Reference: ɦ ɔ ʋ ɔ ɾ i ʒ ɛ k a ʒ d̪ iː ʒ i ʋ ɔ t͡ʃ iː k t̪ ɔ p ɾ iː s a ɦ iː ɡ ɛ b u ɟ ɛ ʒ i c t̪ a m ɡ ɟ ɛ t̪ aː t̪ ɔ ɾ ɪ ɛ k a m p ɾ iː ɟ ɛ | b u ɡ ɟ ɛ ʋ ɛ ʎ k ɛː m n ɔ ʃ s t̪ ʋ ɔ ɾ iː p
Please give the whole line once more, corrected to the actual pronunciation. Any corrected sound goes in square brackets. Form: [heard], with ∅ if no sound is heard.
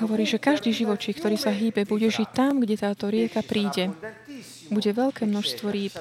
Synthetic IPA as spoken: ɦ ɔ ʋ ɔ ɾ [iː] ʒ ɛ k a ʒ d̪ iː ʒ i ʋ ɔ t͡ʃ iː k t̪ ɔ [∅] ɾ iː s a ɦ iː [b] ɛ b u ɟ ɛ ʒ i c t̪ a m ɡ ɟ ɛ t̪ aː t̪ ɔ ɾ ɪ ɛ k a [∅] p ɾ iː ɟ ɛ | b u [∅] ɟ ɛ ʋ ɛ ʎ k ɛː m n ɔ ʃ s t̪ ʋ ɔ ɾ iː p